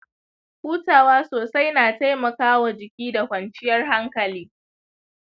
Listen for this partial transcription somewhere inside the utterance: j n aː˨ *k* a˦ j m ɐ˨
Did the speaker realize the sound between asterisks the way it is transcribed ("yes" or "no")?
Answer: no